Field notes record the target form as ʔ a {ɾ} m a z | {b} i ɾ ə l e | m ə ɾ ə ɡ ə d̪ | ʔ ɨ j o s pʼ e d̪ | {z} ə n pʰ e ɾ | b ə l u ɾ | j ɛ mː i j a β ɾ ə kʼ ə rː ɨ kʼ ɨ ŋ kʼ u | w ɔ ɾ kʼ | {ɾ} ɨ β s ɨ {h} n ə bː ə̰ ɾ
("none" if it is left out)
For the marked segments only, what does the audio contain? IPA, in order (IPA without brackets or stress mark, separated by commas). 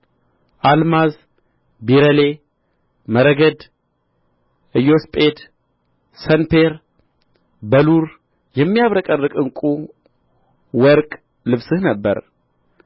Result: l, b, s, l, h